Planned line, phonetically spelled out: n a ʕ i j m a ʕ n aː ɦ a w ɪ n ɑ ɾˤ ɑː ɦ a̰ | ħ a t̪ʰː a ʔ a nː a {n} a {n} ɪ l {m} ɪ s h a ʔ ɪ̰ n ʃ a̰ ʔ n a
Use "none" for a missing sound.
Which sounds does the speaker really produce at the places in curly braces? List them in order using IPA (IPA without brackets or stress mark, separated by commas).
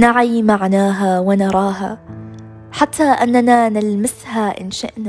n, n, m